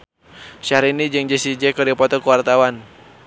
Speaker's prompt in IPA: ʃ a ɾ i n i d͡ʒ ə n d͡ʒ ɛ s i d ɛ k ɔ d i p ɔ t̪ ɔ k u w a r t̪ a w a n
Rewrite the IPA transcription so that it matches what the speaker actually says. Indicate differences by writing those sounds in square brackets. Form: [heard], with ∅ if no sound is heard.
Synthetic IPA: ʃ a ɾ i n i d͡ʒ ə [ŋ] d͡ʒ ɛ s i [d͡ʒ] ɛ k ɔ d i p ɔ t̪ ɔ k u w a r t̪ a w a n